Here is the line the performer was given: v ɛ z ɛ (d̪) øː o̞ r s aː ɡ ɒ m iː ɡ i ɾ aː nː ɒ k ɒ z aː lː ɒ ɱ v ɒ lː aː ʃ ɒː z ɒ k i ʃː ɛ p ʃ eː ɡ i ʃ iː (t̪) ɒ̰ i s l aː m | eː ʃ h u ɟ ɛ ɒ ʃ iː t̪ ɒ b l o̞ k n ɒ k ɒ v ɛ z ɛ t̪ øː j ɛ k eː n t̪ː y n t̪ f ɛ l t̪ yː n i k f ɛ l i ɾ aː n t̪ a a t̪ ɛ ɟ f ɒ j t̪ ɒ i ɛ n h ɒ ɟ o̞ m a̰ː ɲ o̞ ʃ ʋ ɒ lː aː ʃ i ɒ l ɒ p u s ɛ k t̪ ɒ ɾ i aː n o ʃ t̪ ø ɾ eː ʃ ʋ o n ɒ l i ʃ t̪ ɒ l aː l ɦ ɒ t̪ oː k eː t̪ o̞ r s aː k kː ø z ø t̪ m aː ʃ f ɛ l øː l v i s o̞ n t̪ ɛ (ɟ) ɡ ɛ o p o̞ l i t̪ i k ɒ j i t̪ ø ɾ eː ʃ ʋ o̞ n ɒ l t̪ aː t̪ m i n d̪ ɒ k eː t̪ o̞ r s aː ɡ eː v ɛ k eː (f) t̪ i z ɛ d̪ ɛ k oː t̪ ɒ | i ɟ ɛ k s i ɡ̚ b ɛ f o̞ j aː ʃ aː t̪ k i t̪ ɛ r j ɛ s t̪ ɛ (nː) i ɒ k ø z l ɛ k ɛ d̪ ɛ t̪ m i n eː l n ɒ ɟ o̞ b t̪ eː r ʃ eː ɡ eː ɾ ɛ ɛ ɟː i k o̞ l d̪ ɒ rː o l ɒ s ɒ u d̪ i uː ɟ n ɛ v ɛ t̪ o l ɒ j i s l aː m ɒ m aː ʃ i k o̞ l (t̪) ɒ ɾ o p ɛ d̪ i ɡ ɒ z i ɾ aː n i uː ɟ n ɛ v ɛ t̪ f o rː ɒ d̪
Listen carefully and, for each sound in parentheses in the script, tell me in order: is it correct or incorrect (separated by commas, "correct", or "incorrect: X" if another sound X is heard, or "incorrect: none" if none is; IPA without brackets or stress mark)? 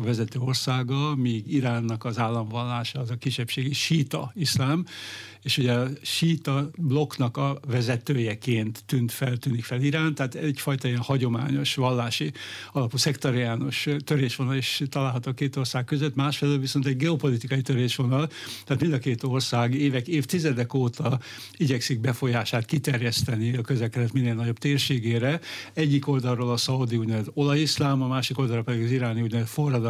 incorrect: t̪, correct, correct, correct, incorrect: n, incorrect: d̪